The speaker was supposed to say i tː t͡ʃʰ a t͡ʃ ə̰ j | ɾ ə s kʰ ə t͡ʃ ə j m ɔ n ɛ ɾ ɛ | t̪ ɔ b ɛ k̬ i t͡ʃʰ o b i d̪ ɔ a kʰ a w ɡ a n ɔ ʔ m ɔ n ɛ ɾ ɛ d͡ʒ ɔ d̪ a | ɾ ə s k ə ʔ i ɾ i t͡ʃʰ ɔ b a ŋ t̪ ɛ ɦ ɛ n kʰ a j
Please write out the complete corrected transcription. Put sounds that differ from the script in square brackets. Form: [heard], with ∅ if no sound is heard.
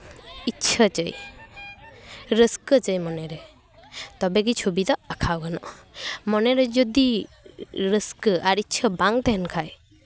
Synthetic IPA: i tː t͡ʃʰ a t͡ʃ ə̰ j | ɾ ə s [k] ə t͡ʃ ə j m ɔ n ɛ ɾ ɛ | t̪ ɔ b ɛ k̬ i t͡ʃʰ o b i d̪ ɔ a kʰ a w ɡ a n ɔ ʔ m ɔ n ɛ ɾ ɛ d͡ʒ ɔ d̪ [i] | ɾ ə s k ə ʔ [a] ɾ i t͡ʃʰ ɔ b a ŋ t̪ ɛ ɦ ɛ n kʰ a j